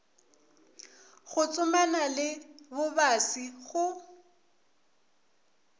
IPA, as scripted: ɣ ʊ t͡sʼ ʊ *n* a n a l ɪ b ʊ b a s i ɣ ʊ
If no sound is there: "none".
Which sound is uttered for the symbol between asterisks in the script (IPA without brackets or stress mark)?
m